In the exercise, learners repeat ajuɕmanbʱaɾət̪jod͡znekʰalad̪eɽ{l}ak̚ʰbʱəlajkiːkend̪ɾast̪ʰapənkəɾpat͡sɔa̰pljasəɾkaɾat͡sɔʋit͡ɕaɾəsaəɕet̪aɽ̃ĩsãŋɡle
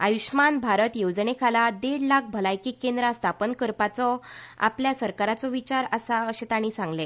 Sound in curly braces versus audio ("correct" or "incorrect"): correct